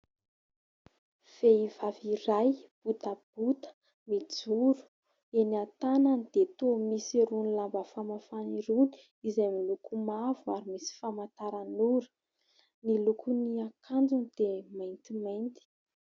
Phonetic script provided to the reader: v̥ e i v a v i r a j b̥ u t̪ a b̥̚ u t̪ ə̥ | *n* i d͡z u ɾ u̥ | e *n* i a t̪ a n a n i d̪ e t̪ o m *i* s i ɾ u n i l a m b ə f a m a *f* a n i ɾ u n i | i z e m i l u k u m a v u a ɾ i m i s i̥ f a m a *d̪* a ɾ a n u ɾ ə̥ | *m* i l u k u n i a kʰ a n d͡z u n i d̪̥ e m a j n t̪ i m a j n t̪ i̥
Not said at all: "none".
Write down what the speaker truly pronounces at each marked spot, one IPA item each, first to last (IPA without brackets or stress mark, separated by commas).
m, n, i, f, t̪, n